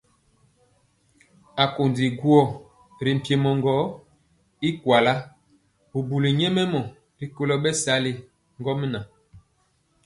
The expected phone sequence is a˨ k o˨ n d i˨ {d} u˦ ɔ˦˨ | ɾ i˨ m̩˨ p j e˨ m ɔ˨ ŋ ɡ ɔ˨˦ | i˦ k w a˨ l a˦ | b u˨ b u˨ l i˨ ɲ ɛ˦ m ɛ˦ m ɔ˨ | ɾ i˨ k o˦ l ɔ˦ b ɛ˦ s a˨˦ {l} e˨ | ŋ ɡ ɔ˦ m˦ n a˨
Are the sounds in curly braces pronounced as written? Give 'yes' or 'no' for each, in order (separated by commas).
no, yes